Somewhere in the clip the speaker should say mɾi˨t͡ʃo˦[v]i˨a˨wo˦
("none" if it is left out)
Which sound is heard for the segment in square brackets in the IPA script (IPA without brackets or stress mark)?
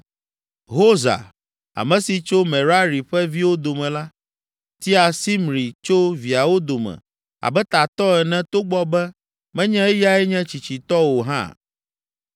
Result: v